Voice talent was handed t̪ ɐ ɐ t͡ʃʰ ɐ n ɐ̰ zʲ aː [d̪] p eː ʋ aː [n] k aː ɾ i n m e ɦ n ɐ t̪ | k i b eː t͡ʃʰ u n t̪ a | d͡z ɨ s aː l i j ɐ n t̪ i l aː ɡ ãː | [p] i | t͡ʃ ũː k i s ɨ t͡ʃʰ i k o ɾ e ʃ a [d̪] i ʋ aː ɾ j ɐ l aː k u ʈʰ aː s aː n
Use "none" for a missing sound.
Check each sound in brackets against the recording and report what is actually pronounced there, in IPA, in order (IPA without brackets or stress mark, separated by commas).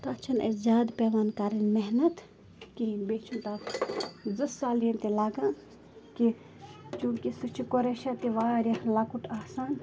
d̪, n, k, t̪